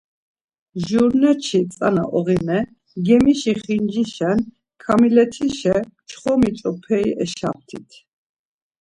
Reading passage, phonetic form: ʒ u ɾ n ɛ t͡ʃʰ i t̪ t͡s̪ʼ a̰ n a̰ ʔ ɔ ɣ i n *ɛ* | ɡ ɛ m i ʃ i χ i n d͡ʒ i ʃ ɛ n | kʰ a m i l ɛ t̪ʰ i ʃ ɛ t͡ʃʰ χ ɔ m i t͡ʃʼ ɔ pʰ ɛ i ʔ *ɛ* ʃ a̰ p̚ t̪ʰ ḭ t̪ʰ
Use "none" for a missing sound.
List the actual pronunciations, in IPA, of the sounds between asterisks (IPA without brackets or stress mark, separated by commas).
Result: ɛ, ɛ